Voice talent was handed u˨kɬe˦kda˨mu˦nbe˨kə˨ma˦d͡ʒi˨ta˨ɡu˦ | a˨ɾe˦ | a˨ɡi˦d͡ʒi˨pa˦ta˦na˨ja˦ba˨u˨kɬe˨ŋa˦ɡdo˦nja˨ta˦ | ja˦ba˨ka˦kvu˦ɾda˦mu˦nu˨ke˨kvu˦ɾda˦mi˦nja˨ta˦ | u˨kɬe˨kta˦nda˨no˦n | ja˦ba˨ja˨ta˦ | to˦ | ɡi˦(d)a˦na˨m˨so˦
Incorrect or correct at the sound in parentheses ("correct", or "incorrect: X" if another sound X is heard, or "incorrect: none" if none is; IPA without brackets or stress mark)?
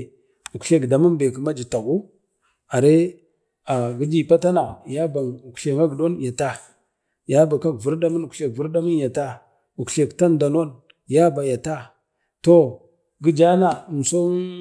incorrect: d͡ʒ